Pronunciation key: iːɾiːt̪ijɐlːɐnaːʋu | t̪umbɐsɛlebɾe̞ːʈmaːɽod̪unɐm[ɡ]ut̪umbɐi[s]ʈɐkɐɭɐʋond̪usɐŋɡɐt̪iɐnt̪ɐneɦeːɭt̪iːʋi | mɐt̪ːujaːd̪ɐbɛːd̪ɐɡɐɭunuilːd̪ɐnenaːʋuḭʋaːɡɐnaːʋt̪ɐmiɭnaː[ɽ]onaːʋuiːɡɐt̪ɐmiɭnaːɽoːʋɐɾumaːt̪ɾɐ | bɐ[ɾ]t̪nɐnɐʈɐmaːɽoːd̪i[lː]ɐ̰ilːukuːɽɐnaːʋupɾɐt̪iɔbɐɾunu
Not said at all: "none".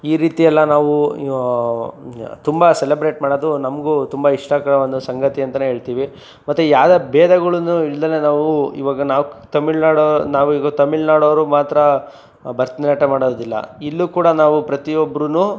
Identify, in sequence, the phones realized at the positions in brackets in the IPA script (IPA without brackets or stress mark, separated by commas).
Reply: ɡ, ʂ, ɽ, ɾ, lː